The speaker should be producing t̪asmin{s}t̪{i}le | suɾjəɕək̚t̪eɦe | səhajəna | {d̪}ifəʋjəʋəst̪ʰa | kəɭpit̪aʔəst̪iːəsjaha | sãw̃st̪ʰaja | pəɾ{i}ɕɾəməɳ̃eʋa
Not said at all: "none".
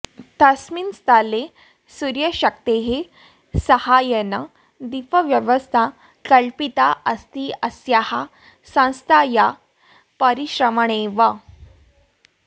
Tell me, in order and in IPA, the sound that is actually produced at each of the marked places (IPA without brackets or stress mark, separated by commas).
s, a, d̪, i